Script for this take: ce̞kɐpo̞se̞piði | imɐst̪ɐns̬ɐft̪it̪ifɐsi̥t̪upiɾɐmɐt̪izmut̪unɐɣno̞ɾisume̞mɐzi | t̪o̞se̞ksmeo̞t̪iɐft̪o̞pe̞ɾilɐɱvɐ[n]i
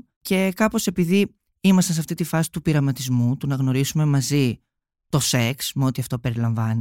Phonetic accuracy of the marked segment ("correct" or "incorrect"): correct